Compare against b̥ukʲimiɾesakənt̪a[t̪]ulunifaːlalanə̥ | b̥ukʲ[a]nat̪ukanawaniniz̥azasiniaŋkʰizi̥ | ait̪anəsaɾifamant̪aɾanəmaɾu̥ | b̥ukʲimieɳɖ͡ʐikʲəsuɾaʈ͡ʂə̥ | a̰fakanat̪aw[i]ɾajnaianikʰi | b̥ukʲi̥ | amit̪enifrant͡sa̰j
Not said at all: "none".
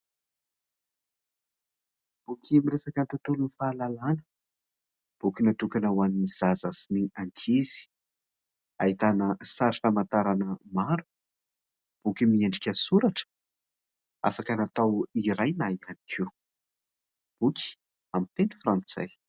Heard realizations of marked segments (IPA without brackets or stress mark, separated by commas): t̪, i, i